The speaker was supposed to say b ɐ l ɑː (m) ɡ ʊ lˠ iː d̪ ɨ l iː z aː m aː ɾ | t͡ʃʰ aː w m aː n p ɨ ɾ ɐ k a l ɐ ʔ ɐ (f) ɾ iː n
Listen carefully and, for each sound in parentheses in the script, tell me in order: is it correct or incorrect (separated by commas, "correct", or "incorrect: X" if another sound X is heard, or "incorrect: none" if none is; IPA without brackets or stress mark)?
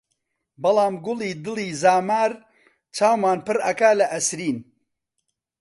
correct, incorrect: s